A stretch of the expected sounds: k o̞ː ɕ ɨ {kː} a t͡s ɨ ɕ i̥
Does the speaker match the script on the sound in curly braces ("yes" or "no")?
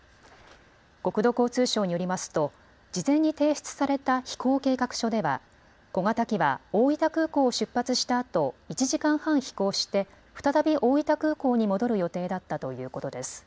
no